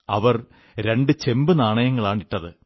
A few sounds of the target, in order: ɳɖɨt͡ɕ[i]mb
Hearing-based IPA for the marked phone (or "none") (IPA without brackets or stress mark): e